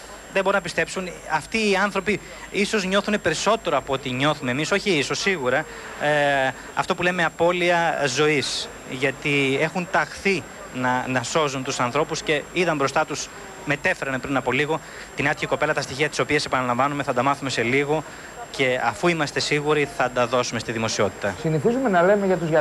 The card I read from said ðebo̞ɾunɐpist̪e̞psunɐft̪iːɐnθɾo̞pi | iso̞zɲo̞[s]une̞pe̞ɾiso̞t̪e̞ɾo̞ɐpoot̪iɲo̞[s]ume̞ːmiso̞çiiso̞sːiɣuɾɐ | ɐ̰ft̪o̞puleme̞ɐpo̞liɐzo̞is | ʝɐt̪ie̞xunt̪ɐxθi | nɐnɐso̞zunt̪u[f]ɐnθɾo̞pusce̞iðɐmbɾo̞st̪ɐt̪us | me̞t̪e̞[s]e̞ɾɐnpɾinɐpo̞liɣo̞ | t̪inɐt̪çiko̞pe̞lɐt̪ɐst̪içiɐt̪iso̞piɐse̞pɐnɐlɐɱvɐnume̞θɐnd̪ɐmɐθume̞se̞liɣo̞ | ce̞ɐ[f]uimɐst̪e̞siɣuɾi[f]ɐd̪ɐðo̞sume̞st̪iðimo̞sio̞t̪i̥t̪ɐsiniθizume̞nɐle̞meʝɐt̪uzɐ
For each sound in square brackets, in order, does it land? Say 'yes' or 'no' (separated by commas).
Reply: no, no, no, no, yes, no